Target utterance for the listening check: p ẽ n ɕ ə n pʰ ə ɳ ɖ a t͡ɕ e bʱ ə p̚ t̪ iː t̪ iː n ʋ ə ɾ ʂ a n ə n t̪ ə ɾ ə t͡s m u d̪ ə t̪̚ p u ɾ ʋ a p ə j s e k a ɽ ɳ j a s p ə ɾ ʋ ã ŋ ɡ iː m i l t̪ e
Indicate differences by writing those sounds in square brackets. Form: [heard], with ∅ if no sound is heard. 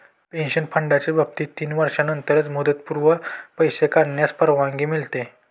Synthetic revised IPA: p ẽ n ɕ ə n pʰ ə ɳ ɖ a t͡ɕ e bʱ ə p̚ t̪ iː t̪ iː n ʋ ə ɾ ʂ a n ə n t̪ ə ɾ ə t͡s m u d̪ ə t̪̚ p u ɾ ʋ [ə] p ə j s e k a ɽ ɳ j a s p ə ɾ ʋ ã ŋ ɡ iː m i l t̪ e

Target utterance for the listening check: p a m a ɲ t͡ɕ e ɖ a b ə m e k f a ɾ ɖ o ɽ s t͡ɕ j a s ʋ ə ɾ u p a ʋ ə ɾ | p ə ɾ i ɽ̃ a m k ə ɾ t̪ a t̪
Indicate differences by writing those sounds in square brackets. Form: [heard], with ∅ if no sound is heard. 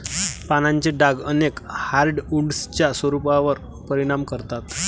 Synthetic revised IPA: p a [n] a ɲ t͡ɕ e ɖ a [ɡ] ə [n] e k [h] a ɾ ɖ [u] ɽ s t͡ɕ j a s ʋ ə ɾ u p a ʋ ə ɾ | p ə ɾ i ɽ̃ a m k ə ɾ t̪ a t̪

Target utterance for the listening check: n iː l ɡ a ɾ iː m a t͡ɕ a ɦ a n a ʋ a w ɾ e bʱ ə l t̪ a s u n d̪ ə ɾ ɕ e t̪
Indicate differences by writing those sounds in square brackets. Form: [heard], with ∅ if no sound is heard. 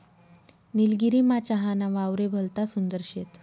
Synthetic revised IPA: n [i] l ɡ [i] ɾ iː m a t͡ɕ a ɦ a n a ʋ a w ɾ e bʱ ə l t̪ a s u n d̪ ə ɾ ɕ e t̪

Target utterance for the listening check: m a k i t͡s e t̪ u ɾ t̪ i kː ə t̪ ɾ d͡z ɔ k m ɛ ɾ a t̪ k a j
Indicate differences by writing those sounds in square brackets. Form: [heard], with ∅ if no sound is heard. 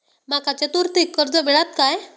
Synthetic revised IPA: m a k [a] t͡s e t̪ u ɾ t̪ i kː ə [∅] ɾ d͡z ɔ [∅] m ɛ [ɭ] a t̪ k a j

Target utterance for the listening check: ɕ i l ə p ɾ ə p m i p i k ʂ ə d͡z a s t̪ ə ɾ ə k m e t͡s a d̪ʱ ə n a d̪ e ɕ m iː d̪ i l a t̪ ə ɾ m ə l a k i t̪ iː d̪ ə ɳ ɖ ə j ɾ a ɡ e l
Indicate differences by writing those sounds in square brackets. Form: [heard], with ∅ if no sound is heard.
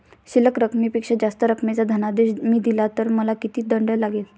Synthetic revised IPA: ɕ i l ə [k] ɾ ə [k] m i p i k ʂ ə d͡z a s t̪ ə ɾ ə k m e t͡s a d̪ʱ ə n a d̪ e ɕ m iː d̪ i l a t̪ ə ɾ m ə l a k i t̪ iː d̪ ə ɳ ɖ ə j [l] a ɡ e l

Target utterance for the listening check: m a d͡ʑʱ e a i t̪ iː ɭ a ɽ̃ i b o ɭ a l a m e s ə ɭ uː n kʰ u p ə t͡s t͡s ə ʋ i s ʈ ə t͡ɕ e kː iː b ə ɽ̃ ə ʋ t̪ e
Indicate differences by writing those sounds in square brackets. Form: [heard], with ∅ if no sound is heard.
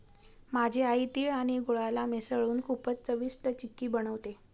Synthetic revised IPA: m a d͡ʑʱ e a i t̪ iː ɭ a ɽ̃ i [ɡ] o ɭ a l a m e s ə ɭ uː n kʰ u p ə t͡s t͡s ə ʋ i s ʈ ə t͡ɕ [i] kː iː b ə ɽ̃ ə ʋ t̪ e

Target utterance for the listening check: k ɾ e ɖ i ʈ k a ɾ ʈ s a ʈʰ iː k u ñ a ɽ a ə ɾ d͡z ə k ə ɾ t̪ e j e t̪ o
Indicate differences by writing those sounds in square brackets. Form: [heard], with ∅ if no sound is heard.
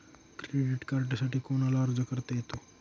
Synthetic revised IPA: k ɾ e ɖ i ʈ k a ɾ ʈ s a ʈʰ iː k [o] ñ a [l] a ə ɾ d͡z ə k ə ɾ t̪ e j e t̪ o

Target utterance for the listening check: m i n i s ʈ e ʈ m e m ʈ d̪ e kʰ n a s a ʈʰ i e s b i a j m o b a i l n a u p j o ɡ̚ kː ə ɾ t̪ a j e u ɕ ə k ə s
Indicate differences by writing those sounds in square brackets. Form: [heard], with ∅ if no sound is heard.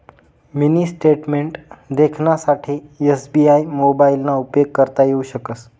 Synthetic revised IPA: m i n i s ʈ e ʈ m e [ɳ] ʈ d̪ e kʰ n a s a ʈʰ i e s b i a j m o b a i l n a u p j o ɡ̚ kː ə ɾ t̪ a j e u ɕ ə k ə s

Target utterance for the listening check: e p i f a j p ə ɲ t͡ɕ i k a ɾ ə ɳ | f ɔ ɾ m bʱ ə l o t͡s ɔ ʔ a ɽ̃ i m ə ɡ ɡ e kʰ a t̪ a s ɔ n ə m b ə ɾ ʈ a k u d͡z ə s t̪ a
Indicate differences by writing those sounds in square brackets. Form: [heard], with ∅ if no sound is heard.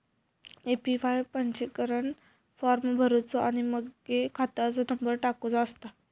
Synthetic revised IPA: e p i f a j p ə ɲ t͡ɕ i k [ə] ɾ ə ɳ | f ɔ ɾ m bʱ ə [ɾ] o t͡s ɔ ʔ a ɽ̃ i m ə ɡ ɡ e kʰ a t̪ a [t͡s] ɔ n ə m b ə ɾ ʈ a k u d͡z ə s t̪ a

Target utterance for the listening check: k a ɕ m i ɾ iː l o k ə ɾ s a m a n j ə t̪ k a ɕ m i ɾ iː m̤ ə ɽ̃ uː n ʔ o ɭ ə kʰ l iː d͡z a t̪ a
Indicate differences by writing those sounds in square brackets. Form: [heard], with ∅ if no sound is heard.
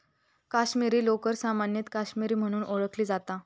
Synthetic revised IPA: k a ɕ m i ɾ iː l o k ə ɾ s a m a n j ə t̪ k a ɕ m i ɾ iː m̤ ə ɽ̃ uː n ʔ o ɭ ə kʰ l iː d͡z a t̪ a

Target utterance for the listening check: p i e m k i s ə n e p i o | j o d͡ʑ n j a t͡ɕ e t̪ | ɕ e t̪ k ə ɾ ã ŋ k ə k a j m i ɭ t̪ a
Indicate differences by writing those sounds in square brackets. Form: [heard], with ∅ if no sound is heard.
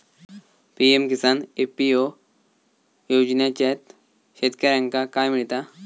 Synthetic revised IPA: p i e m k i s [a] n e p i o | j o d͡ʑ n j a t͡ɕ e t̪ | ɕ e t̪ k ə ɾ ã ŋ k [a] k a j m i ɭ t̪ a

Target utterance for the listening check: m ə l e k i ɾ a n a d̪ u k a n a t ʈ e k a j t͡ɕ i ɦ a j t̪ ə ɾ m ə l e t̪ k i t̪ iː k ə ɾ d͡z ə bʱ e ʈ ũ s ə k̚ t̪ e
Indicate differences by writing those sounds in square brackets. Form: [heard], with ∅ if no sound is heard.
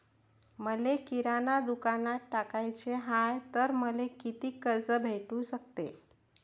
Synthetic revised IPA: m ə l e k i ɾ a n a d̪ u k a n a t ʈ [a] k a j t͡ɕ [e] ɦ a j t̪ ə ɾ m ə l e [∅] k i t̪ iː k ə ɾ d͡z ə bʱ e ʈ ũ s ə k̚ t̪ e

